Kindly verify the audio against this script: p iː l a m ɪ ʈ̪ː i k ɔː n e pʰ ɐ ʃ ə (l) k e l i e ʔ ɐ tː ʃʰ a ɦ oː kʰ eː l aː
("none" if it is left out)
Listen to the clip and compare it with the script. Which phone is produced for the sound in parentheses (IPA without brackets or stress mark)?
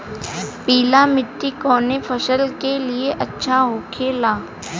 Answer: l